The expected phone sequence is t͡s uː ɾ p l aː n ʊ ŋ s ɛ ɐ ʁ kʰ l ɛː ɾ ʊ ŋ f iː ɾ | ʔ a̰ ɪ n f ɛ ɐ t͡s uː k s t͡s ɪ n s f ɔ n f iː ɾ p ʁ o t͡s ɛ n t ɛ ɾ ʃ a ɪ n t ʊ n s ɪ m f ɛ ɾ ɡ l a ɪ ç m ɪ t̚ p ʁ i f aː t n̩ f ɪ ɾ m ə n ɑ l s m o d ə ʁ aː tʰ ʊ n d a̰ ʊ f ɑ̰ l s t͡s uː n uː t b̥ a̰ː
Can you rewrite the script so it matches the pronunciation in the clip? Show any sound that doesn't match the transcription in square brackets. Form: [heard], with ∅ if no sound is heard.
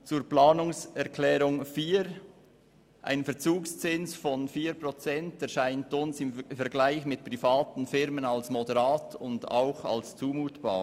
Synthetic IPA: t͡s uː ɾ p l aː n ʊ ŋ s ɛ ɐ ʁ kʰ l ɛː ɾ ʊ ŋ f iː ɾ | ʔ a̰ ɪ n f ɛ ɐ t͡s uː k s t͡s ɪ n s f ɔ n f iː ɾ p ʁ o t͡s ɛ n t ɛ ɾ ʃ a ɪ n t ʊ n s ɪ m f ɛ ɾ ɡ l a ɪ ç m ɪ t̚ p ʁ i f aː t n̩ f ɪ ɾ m ə n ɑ l s m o d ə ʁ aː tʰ ʊ n d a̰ ʊ [x] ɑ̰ l s t͡s uː [m] uː t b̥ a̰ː

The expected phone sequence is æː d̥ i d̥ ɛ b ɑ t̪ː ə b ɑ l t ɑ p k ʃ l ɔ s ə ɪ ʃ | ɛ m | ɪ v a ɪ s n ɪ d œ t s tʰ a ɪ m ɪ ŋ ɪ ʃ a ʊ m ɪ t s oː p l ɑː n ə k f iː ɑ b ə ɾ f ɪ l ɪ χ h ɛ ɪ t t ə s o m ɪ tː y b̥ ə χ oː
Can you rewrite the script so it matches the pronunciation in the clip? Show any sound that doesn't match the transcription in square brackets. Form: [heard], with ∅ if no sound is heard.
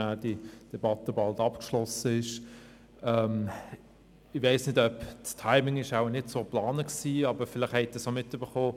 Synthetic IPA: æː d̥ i d̥ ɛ b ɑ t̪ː ə b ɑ l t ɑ p k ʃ l ɔ s ə ɪ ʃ | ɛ m | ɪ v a ɪ s n ɪ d œ [p] s tʰ a ɪ m ɪ ŋ ɪ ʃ a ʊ [n] ɪ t s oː p l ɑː n ə k [s] iː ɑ b ə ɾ f ɪ l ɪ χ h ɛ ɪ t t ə s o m ɪ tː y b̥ ə χ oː

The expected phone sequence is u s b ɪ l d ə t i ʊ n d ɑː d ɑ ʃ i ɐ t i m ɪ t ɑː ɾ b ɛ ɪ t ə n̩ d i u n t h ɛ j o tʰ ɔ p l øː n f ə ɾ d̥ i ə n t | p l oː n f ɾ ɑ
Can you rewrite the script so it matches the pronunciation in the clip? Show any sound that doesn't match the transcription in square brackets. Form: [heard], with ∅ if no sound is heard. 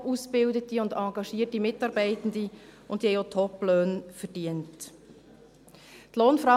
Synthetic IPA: u s b ɪ l d ə t i ʊ n d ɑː [ɡ] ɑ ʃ i [ə] t i m ɪ t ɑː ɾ b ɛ ɪ t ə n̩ d i [ʊ] n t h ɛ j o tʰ ɔ p l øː n f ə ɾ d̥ i ə n t | [t] l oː n f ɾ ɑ

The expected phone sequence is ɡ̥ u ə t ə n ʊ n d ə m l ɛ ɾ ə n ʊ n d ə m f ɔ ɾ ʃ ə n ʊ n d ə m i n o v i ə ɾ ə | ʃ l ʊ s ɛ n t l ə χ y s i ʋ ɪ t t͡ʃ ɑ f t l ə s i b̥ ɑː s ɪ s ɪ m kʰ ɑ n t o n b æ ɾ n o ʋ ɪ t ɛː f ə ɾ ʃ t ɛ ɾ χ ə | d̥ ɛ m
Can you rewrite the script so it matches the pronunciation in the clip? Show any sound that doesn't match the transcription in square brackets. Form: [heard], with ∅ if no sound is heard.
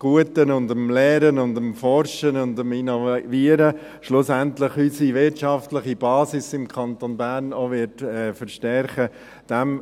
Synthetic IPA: ɡ̥ u ə t ə n ʊ n d ə m l [ɛː] ɾ ə n ʊ n d ə m f ɔ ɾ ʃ ə n ʊ n d ə m i n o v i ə ɾ ə | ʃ l ʊ s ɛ n t l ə χ y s i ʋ ɪ t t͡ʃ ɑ f t l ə [χ] i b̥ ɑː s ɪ s ɪ m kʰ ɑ n t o n b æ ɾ n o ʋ ɪ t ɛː f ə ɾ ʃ t ɛ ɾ χ ə | d̥ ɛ m

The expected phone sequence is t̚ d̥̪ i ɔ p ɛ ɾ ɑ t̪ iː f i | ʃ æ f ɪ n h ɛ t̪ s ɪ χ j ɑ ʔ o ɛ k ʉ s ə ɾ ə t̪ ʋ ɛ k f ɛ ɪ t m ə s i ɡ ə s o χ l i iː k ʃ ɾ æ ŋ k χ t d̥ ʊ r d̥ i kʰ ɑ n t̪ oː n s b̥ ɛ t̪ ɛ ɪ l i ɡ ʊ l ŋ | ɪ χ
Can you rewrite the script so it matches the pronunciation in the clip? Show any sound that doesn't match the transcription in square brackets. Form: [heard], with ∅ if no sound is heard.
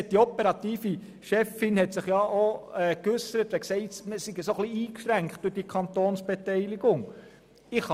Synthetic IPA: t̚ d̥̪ i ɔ p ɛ ɾ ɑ t̪ iː f i | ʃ [ɛ] f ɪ n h ɛ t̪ s ɪ χ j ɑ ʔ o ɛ k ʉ s ə ɾ ə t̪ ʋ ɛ k [s] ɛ ɪ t m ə s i ɡ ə s o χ l i iː k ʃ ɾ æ ŋ k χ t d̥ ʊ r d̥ i kʰ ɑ n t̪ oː n s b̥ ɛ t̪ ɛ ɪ l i ɡ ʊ [∅] ŋ | ɪ χ

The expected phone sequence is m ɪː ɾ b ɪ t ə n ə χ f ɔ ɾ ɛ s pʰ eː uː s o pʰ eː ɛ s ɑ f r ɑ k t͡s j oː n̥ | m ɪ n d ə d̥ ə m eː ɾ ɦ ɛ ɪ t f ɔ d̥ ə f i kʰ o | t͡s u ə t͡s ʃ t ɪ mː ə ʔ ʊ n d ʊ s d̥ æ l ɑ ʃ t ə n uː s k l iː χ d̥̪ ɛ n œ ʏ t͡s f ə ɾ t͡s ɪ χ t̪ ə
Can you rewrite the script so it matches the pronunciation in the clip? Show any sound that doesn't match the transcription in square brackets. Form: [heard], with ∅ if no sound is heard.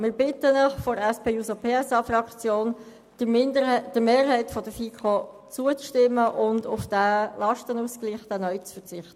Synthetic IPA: m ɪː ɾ b ɪ t ə n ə χ f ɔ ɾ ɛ s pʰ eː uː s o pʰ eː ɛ s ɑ f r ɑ k t͡s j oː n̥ | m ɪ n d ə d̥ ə m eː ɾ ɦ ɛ ɪ t f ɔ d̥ ə f i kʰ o | t͡s u ə t͡s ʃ t ɪ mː ə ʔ ʊ n d ʊ [f] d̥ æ l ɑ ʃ t ə n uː s k l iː χ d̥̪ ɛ n œ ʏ t͡s f ə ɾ t͡s ɪ χ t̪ ə

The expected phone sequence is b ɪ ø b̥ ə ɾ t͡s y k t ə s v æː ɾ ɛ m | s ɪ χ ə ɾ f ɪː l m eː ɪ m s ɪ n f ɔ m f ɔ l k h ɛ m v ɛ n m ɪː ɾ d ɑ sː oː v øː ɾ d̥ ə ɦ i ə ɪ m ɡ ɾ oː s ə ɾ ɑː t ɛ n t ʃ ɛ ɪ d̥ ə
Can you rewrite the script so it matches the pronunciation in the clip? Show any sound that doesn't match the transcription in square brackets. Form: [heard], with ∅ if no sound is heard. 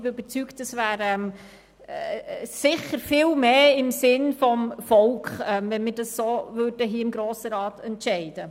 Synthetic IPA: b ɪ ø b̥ ə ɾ t͡s y k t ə s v æː ɾ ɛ m | s ɪ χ ə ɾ f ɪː l m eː ɪ m s ɪ n f ɔ m f ɔ l k [χ] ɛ m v ɛ n m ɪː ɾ d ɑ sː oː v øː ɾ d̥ ə ɦ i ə ɪ m ɡ ɾ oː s ə ɾ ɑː t ɛ n t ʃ ɛ ɪ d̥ ə

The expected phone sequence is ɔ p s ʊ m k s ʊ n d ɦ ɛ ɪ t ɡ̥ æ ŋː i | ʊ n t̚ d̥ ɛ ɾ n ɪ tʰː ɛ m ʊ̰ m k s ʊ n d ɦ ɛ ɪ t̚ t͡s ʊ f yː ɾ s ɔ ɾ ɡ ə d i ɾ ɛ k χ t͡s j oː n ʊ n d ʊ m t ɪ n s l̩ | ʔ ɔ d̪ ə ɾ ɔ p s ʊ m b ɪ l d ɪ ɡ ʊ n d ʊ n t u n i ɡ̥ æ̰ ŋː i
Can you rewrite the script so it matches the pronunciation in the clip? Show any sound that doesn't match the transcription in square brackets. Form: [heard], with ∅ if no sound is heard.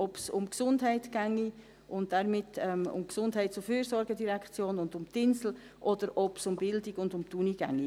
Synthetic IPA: ɔ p s ʊ m k s ʊ n d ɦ ɛ ɪ t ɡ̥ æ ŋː i | ʊ n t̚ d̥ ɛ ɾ [m] ɪ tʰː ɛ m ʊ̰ m k s ʊ n d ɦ ɛ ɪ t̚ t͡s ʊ f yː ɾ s ɔ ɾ ɡ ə d i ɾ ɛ k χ t͡s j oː n ʊ n d ʊ m t ɪ n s l̩ | ʔ ɔ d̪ ə ɾ ɔ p s ʊ m b ɪ l d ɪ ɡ ʊ n d ʊ [m] t u n i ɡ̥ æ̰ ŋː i

